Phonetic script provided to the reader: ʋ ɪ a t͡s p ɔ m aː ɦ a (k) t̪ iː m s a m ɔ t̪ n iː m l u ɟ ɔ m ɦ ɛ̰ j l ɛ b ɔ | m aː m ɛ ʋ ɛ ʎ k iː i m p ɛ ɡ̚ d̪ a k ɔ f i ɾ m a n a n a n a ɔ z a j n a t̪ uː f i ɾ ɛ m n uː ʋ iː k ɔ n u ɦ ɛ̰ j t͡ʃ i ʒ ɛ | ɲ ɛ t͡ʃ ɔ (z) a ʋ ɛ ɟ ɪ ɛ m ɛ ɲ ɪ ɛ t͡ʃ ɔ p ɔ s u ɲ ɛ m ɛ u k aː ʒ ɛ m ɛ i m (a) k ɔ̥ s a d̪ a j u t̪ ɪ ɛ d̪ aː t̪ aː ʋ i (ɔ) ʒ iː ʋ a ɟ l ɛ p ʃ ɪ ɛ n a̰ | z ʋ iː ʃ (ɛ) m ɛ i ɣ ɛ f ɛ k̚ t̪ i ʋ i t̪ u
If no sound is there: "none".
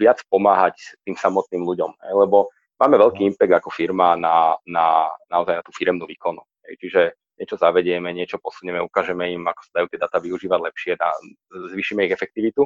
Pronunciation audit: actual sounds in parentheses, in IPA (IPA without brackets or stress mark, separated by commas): c, z, a, u, i